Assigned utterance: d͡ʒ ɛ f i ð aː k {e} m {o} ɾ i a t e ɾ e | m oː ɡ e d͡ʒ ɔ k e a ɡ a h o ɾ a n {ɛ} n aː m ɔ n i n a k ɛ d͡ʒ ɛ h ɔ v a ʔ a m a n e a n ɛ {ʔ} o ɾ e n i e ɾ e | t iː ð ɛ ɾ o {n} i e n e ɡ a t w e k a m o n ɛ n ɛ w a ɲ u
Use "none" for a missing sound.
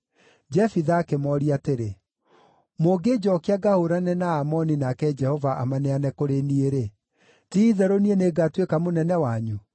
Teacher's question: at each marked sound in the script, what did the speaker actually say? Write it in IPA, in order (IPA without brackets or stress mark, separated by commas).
e, ɔ, ɛ, k, n